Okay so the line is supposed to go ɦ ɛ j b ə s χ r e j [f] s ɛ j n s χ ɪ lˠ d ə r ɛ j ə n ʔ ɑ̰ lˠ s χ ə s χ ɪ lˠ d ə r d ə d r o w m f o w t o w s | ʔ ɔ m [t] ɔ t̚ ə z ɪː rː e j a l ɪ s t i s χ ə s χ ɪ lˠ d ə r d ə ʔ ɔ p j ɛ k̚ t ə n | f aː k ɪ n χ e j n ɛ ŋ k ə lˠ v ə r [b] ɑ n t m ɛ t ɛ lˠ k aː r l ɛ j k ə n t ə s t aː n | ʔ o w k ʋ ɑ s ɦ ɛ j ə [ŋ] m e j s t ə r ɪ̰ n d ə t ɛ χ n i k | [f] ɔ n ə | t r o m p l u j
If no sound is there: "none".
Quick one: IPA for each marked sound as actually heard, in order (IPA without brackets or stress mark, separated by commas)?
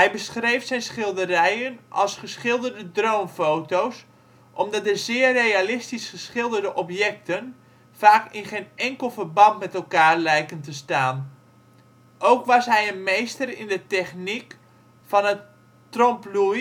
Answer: f, d, b, n, f